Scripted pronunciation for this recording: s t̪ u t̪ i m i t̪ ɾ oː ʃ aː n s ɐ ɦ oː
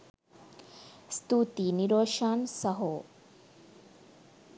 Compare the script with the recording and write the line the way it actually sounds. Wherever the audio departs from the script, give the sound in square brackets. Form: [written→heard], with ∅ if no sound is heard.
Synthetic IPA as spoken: s t̪ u t̪ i [m→n] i [t̪→∅] ɾ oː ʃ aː n s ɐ ɦ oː